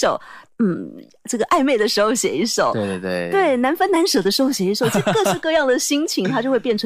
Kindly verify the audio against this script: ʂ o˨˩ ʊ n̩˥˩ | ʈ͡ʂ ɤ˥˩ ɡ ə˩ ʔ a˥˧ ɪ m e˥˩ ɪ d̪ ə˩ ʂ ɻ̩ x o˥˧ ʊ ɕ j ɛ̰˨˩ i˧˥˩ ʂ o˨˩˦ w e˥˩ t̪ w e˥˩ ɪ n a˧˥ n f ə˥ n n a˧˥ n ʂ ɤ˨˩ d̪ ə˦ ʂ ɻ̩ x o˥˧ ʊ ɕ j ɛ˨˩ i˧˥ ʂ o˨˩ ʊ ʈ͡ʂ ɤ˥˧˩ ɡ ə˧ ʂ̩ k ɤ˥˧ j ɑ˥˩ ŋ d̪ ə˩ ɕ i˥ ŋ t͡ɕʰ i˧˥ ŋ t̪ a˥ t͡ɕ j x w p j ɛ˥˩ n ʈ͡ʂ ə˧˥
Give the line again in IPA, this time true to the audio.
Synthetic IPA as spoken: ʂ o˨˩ ʊ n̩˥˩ | ʈ͡ʂ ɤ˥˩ ɡ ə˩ ʔ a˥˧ ɪ m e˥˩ ɪ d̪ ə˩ ʂ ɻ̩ x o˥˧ ʊ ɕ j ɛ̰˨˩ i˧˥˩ ʂ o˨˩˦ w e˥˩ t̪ w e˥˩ ɪ n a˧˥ n f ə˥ n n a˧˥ n ʂ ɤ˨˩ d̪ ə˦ ʂ ɻ̩ x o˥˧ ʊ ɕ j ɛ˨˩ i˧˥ ʂ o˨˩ ʊ ʈ͡ʂ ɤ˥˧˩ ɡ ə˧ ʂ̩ k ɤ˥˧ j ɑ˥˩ ŋ d̪ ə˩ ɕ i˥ ŋ t͡ɕʰ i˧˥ ŋ t̪ʰ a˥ t͡ɕ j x w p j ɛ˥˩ n ʈ͡ʂʰ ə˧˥